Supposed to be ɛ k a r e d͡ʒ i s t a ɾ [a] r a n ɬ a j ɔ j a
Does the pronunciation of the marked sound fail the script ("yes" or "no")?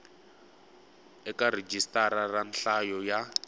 no